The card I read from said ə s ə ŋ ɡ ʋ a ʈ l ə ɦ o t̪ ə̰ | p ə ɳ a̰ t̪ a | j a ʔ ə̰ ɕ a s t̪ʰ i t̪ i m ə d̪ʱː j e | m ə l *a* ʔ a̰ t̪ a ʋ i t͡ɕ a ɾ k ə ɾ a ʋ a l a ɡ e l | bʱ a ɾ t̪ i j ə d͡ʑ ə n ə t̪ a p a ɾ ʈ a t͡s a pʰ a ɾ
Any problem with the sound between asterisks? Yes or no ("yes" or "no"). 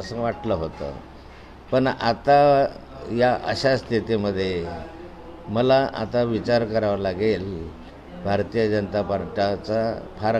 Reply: no